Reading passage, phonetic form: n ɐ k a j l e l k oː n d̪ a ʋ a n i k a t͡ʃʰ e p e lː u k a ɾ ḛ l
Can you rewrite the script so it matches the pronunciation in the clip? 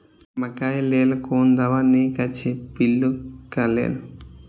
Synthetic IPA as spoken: m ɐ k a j l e l k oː n d̪ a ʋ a n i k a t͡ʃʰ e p i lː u k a l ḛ l